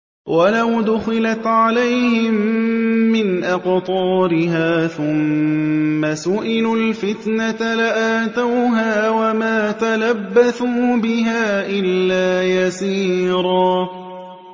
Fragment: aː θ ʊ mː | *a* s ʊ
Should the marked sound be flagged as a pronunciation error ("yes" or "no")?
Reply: no